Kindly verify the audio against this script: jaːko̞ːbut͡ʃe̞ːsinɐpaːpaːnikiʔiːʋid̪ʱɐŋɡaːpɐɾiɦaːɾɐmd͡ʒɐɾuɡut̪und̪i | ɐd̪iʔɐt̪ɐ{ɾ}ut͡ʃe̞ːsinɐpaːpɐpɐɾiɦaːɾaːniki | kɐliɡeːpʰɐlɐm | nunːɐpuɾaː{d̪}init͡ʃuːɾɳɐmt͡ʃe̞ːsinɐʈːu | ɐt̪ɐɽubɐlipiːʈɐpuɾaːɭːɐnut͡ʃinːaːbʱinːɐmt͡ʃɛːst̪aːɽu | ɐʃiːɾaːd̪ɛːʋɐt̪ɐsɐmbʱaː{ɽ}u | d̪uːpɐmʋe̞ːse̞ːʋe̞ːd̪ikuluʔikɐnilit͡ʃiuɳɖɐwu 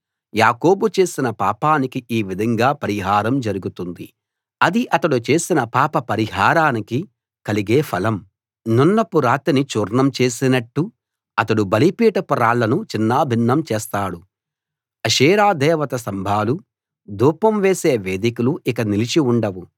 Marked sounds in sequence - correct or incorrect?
incorrect: ɽ, incorrect: t̪, incorrect: l

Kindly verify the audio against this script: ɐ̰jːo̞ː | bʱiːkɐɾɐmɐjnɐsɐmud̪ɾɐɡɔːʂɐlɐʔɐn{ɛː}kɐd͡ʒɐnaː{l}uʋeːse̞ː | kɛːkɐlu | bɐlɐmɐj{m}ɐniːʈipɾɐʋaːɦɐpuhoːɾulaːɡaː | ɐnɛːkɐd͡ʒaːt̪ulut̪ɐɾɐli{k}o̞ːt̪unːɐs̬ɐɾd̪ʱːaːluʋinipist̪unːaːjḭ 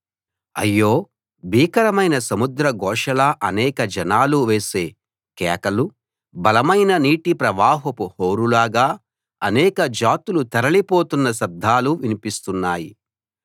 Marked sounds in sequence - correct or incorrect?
correct, correct, incorrect: n, incorrect: p

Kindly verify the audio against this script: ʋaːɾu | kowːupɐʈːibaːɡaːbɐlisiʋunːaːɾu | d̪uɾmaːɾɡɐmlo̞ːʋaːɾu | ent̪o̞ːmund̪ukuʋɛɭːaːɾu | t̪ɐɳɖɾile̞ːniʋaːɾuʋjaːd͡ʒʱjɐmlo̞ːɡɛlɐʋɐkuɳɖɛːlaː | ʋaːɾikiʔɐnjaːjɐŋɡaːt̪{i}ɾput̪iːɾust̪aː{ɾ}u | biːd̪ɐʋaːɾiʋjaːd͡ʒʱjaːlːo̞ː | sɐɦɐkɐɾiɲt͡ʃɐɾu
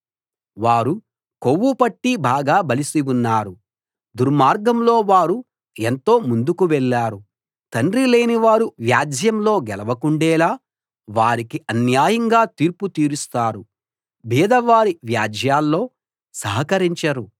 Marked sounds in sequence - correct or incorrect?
incorrect: iː, correct

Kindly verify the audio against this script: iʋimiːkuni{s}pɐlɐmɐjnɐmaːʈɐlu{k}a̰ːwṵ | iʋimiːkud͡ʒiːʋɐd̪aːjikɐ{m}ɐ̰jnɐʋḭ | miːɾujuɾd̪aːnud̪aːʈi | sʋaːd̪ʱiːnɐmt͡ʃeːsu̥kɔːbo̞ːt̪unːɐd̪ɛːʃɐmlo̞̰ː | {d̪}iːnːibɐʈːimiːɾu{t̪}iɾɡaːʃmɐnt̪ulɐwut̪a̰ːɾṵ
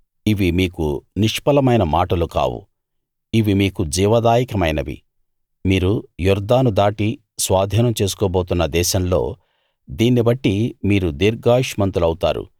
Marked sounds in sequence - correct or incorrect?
incorrect: ʂ, correct, correct, correct, incorrect: d̪

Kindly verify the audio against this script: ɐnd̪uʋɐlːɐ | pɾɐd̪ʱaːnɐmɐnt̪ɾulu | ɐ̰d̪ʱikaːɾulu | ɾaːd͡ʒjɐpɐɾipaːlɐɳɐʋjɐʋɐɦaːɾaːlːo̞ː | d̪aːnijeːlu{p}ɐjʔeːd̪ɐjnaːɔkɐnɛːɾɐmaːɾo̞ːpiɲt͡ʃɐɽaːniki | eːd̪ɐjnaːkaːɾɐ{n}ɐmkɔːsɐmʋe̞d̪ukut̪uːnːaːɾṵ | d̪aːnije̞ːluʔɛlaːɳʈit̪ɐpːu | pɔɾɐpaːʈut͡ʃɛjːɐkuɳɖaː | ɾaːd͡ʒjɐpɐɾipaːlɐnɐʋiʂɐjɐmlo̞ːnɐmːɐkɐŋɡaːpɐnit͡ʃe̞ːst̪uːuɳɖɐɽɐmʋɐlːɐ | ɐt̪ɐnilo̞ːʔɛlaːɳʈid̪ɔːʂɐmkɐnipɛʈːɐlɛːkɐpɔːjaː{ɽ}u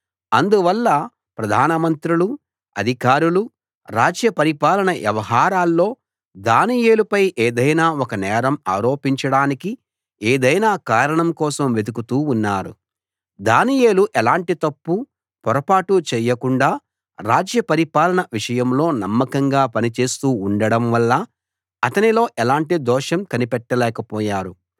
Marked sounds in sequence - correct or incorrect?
correct, incorrect: ɳ, incorrect: ɾ

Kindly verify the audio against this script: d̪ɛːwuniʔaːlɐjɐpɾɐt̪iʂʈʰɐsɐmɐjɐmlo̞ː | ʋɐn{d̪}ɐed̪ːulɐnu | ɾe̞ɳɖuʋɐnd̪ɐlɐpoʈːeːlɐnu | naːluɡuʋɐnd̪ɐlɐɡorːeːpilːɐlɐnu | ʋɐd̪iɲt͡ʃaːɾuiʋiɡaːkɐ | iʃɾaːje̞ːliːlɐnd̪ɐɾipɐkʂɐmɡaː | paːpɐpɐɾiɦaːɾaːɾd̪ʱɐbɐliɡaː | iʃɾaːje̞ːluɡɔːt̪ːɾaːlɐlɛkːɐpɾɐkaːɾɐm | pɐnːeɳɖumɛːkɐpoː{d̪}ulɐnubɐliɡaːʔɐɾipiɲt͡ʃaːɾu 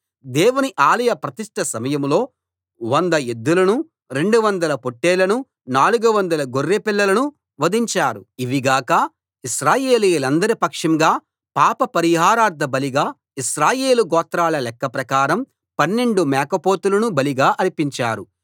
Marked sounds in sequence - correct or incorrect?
correct, incorrect: t̪

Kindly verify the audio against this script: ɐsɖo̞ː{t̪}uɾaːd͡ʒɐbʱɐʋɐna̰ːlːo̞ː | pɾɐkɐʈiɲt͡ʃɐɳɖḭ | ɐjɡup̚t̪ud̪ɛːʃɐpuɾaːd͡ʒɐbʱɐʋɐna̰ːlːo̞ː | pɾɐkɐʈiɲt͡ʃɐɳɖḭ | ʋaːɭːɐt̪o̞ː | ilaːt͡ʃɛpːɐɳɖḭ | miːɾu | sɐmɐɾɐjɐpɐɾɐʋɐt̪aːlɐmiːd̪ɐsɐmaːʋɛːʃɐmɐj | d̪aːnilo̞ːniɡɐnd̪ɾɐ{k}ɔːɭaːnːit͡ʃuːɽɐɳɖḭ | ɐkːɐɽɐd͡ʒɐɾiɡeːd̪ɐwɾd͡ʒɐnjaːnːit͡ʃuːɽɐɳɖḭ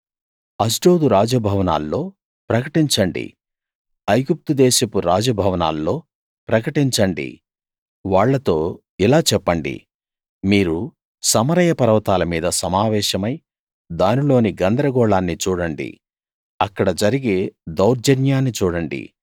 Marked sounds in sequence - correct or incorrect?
incorrect: d̪, incorrect: ɡ

